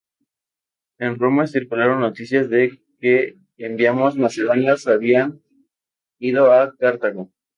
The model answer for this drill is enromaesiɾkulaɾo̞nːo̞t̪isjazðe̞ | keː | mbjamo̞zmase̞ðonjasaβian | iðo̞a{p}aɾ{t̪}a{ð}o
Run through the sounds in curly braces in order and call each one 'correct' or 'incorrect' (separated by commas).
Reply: incorrect, correct, incorrect